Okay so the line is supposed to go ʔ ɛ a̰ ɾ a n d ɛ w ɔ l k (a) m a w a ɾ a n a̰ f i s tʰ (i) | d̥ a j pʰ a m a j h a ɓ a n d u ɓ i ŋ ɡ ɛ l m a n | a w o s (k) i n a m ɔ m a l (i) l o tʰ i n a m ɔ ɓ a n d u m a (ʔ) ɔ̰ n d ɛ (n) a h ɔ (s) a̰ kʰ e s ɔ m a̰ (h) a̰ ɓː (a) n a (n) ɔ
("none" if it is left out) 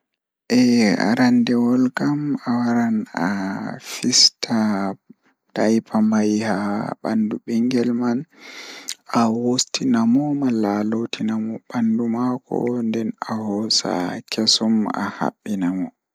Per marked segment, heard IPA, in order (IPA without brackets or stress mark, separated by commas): a, a, t, a, k, n, s, h, i, m